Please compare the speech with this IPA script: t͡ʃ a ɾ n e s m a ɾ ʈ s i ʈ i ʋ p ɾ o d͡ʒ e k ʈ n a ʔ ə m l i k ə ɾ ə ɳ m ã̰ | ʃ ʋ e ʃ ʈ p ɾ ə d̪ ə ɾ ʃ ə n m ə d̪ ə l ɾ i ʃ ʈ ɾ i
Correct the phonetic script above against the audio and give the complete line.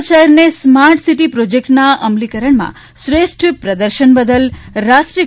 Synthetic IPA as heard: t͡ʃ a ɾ n e s m a ɾ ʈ s i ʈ i p ɾ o d͡ʒ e k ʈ n a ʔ ə m l i k ə ɾ ə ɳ m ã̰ | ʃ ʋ e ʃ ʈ p ɾ ə d̪ ə ɾ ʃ ə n b ə d̪ ə l ɾ a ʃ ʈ ɾ i